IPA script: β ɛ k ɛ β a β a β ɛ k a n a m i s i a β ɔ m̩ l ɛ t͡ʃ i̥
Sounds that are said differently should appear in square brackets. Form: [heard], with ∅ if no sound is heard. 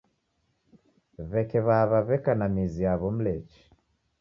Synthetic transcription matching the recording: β ɛ k ɛ β a β a β ɛ k a n a m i [z] i a β ɔ m̩ l ɛ t͡ʃ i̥